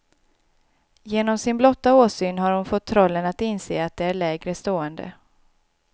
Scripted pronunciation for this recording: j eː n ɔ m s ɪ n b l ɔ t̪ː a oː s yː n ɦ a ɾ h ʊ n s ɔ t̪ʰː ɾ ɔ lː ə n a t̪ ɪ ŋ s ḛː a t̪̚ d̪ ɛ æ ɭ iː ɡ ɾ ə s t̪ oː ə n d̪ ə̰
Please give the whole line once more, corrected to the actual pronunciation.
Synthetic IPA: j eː n ɔ m s ɪ n b l ɔ t̪ː a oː s yː n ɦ a ɾ h ʊ n f ɔ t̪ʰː ɾ ɔ lː ə n a t̪ ɪ n s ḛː a t̪̚ d̪ ɛ æ ɭ ɛː ɡ ɾ ə s t̪ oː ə n d̪ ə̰